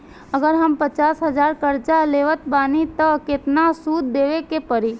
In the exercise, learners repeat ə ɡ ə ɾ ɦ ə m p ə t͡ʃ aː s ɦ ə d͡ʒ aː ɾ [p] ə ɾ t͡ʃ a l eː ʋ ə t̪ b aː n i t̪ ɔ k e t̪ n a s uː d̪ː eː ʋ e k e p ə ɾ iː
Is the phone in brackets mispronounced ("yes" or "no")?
yes